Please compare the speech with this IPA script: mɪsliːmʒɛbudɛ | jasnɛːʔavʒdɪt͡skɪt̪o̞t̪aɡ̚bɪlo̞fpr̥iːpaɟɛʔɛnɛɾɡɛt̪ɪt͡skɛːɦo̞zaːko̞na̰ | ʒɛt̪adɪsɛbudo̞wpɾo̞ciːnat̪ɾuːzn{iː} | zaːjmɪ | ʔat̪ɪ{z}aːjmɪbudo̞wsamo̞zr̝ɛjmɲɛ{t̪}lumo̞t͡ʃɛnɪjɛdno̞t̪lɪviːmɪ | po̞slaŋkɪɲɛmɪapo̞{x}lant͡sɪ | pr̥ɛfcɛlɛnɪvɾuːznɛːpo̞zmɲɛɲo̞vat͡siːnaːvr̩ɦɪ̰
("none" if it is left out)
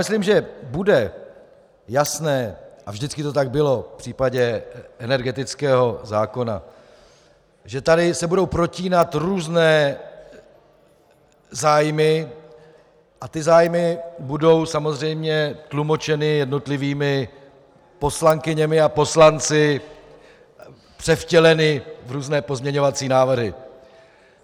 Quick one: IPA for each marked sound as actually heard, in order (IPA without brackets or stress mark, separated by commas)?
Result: ɛː, z, t̪, s